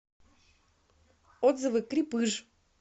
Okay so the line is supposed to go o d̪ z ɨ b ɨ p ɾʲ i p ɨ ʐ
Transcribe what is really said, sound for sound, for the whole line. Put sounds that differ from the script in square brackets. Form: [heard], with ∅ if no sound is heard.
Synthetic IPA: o d̪ z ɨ [v] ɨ [k] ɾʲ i p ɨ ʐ

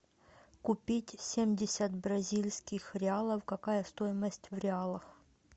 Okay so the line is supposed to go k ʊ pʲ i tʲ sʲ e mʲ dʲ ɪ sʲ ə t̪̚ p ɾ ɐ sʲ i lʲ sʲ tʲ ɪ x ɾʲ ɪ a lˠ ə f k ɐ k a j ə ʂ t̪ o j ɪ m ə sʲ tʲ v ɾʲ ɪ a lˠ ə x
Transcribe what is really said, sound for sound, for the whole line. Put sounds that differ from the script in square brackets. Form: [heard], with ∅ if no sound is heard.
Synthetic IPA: k ʊ pʲ i tʲ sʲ e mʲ dʲ ɪ sʲ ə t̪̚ [b] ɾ ɐ [zʲ] i lʲ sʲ [kʲ] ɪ x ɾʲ ɪ a lˠ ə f k ɐ k a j ə [s] t̪ o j ɪ m ə sʲ tʲ v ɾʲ ɪ a lˠ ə x

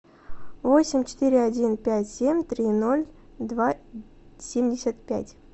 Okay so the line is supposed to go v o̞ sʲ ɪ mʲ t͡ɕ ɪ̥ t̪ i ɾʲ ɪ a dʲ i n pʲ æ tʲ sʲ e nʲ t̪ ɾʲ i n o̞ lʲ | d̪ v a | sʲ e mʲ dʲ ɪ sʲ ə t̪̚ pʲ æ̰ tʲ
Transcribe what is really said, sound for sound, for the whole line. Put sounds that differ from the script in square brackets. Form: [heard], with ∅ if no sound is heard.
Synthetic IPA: v o̞ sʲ ɪ mʲ t͡ɕ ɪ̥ t̪ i ɾʲ ɪ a dʲ i n pʲ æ tʲ sʲ e [mʲ] t̪ ɾʲ i n o̞ lʲ | d̪ v a | sʲ e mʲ dʲ ɪ sʲ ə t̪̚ pʲ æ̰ tʲ

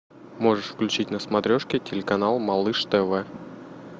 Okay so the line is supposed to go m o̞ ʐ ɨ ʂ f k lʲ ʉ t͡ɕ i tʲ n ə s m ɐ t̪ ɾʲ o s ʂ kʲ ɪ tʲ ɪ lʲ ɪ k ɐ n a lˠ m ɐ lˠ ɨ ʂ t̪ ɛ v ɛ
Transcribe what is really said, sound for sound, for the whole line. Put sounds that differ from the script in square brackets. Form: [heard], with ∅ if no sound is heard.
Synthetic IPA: m o̞ ʐ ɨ ʂ f k lʲ ʉ t͡ɕ i tʲ n ə s m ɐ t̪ ɾʲ o [∅] ʂ kʲ ɪ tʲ ɪ lʲ ɪ k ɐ n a lˠ m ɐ lˠ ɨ ʂ t̪ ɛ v ɛ

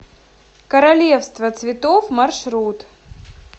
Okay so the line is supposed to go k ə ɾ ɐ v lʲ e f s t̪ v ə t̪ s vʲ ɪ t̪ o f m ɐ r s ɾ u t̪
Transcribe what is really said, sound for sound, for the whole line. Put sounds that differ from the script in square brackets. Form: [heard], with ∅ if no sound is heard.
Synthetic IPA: k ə ɾ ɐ [∅] lʲ e f s t̪ v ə t̪ s vʲ ɪ t̪ o f m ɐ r [ʂ] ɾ u t̪

